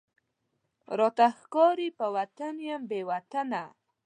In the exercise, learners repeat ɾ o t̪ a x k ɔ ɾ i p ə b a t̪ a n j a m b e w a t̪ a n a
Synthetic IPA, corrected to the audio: ɾ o t̪ a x k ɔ ɾ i p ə w a t̪ a n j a m b e w a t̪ a n a